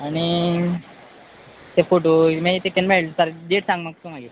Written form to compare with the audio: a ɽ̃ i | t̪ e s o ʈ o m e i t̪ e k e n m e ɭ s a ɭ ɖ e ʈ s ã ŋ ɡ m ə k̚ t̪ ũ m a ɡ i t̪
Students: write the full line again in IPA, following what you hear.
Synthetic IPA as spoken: a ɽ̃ i | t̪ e f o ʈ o m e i t̪ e k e n m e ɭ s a ɾ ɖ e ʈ s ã ŋ ɡ m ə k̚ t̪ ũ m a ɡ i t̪

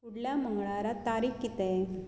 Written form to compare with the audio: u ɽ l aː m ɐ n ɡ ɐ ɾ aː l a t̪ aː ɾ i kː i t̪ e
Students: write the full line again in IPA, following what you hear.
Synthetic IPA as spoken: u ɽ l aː m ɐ ŋ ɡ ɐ ɭ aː ɾ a t̪ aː ɾ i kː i t̪ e

